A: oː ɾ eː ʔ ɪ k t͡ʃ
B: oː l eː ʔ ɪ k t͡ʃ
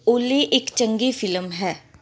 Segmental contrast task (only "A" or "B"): B